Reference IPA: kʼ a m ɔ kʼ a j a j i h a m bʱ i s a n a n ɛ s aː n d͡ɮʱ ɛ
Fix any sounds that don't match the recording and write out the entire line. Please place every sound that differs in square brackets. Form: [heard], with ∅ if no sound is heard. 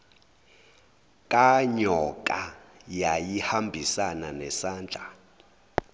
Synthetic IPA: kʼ a [ɲ] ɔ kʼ a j a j i h a m bʱ i s a n a n ɛ s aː n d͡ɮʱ [a]